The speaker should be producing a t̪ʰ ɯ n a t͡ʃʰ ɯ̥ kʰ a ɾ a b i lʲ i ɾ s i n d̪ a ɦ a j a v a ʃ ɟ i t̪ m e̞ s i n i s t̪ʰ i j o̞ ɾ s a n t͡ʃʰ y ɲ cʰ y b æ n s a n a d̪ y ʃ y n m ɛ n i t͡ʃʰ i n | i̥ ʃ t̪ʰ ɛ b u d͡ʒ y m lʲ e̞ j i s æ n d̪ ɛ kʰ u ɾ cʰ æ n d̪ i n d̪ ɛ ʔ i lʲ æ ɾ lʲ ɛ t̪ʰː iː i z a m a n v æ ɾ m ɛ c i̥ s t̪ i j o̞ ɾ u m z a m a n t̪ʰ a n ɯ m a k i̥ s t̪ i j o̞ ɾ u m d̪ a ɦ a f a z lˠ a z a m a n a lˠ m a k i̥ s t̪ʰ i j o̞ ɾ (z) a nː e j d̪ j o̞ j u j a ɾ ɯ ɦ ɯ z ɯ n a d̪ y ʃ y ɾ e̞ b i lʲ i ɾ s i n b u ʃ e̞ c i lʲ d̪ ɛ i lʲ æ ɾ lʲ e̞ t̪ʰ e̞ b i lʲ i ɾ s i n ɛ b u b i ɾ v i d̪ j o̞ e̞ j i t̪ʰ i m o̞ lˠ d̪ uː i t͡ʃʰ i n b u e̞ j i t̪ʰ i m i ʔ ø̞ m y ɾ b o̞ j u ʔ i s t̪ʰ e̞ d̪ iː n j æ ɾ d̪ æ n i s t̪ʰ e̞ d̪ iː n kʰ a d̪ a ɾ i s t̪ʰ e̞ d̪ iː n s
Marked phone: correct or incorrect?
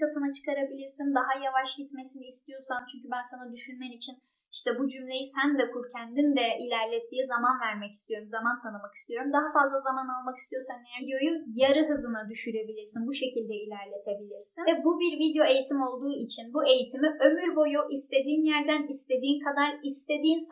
incorrect